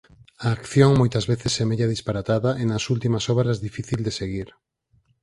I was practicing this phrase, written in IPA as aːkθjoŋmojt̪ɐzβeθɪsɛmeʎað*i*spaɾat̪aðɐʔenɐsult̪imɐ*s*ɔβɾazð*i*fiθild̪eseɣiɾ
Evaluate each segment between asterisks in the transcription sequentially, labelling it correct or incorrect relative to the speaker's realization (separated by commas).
correct, correct, correct